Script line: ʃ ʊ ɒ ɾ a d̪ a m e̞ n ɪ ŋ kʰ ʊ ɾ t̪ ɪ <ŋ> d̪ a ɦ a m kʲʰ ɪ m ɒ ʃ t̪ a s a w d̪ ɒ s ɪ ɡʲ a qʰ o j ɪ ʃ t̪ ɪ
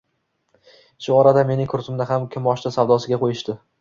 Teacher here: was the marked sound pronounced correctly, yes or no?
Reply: no